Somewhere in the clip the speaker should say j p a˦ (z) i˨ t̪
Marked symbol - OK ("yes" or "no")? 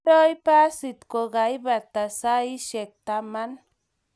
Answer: no